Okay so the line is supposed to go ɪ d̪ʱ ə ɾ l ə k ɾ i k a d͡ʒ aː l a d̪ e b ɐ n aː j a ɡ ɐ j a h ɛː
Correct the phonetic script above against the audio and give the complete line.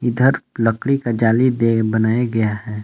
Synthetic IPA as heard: ɪ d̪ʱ ə ɾ l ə k ɽ i k a d͡ʒ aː l i d̪ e b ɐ n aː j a ɡ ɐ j a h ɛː